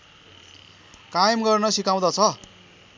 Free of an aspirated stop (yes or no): no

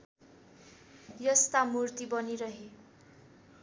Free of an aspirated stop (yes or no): yes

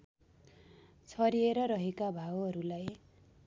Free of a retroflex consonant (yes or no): yes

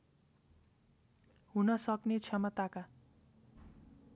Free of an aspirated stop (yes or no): no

